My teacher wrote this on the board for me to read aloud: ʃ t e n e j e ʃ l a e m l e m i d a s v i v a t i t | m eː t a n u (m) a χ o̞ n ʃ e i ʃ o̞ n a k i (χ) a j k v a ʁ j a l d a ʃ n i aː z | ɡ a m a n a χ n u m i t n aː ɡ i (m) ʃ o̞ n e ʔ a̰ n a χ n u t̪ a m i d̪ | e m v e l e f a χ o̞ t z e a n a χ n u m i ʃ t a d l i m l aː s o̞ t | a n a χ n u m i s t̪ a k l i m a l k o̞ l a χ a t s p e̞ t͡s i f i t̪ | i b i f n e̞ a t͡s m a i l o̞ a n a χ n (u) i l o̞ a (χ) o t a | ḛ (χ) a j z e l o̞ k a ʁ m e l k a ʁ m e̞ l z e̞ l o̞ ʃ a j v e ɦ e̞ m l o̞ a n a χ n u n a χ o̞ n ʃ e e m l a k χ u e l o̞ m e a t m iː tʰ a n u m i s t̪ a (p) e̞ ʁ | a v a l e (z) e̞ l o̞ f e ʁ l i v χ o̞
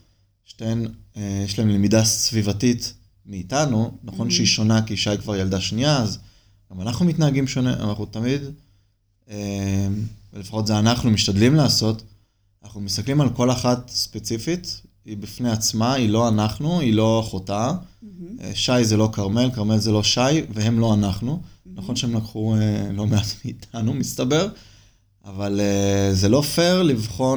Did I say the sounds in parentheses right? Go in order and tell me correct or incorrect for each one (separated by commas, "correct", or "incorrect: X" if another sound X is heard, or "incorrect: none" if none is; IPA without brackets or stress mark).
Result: incorrect: n, incorrect: ʃ, correct, correct, correct, incorrect: ʃ, incorrect: b, correct